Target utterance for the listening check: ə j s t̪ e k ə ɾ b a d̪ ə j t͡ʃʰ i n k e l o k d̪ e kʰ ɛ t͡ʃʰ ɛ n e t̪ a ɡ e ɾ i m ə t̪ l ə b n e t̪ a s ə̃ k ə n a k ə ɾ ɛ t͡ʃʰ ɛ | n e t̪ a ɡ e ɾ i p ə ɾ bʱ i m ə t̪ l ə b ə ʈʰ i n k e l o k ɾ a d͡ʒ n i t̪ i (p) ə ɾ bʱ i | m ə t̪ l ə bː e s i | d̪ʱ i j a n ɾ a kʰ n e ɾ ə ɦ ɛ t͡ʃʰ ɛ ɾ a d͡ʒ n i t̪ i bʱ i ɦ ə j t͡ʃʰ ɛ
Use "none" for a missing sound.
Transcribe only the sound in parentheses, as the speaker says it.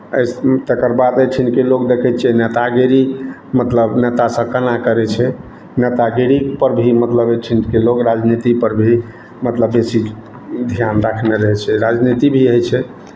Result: p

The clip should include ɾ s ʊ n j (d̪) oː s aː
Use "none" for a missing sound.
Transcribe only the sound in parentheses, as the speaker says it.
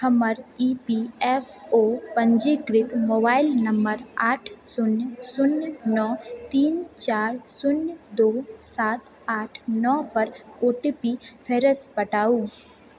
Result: d̪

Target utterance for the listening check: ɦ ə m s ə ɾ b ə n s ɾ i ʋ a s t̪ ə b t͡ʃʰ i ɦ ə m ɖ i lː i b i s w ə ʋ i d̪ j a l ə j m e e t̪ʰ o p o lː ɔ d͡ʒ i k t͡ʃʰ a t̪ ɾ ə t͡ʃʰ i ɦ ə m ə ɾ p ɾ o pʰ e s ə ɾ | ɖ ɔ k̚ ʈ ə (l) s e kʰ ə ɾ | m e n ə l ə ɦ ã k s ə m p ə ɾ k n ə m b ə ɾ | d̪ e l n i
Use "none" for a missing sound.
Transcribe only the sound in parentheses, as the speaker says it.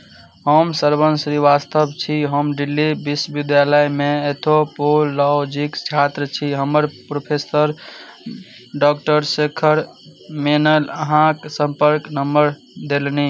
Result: ɾ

